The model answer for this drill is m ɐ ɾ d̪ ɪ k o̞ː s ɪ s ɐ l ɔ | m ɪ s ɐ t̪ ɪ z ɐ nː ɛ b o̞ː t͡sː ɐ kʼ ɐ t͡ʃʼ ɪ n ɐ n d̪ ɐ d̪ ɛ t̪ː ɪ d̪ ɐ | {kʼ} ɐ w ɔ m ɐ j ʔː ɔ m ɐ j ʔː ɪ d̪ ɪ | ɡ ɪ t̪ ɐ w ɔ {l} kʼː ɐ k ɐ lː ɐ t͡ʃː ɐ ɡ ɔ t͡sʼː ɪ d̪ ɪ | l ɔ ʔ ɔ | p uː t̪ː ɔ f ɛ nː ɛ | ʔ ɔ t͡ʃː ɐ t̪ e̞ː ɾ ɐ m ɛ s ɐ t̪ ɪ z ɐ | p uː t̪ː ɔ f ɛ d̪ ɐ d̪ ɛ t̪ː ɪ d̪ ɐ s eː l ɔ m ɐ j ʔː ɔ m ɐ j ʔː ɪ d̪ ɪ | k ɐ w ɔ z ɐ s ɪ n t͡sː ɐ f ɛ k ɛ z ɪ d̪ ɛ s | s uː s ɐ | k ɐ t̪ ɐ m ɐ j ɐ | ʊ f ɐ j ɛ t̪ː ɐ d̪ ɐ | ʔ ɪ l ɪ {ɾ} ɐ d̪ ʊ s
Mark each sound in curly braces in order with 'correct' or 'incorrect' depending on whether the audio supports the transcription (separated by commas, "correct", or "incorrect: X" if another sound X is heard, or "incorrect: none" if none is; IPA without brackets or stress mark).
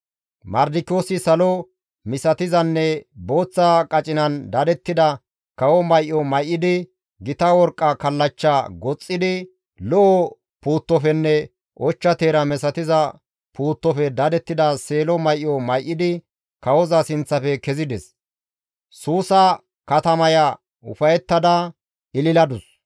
incorrect: k, incorrect: ɾ, incorrect: l